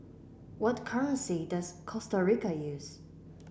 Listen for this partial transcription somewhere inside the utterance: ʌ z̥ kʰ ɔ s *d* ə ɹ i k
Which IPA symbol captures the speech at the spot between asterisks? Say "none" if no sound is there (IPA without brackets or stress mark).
t